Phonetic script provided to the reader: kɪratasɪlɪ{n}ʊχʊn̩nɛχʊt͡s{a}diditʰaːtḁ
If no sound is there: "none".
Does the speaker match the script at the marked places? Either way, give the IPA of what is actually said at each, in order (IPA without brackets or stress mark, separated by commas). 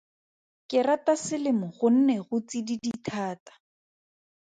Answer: m, i